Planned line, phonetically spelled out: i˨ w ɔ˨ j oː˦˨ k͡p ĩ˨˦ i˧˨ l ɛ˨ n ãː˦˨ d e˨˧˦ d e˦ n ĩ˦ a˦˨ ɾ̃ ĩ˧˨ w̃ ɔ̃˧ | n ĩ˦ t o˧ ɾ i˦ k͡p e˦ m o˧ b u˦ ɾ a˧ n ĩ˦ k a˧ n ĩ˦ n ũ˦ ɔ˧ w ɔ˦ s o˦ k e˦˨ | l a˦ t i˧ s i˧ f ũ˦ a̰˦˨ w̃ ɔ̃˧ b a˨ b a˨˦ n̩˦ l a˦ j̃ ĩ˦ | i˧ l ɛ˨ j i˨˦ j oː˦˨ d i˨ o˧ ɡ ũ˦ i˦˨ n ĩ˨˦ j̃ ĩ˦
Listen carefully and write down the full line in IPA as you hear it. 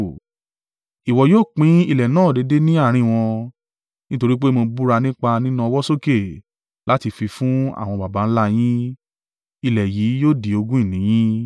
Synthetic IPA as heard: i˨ w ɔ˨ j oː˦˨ k͡p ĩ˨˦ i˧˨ l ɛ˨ n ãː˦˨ d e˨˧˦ d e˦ n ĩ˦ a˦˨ ɾ̃ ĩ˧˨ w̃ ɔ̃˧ | n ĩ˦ t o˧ ɾ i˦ k͡p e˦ m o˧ b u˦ ɾ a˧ n ĩ˦ k͡p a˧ n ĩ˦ n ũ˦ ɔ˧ w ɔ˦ s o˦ k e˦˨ | l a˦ t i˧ f i˧ f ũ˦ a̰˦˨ w̃ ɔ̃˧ b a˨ b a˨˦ n̩˦ l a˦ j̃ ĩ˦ | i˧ l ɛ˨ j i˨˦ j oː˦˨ d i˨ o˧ ɡ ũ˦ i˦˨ n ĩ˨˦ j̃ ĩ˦